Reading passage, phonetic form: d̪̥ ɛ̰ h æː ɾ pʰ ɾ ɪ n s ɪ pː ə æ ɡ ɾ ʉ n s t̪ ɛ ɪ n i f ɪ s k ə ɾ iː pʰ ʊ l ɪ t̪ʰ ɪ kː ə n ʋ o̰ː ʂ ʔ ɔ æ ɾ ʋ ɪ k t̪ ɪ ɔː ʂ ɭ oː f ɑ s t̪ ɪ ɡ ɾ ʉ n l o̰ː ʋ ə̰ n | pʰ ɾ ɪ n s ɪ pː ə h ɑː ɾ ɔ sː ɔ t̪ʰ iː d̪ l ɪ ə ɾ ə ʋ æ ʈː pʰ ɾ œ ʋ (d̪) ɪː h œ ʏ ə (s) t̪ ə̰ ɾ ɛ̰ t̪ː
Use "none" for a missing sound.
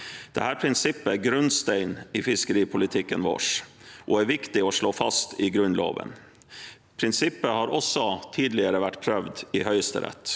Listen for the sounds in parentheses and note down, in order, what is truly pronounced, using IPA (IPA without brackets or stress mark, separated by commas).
d̪, s